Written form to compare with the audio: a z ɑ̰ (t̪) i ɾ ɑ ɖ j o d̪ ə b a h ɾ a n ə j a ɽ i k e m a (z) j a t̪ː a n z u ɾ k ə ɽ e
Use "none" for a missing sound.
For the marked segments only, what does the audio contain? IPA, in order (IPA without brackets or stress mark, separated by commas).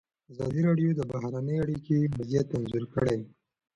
d̪, z